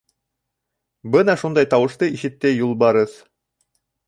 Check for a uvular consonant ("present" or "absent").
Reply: absent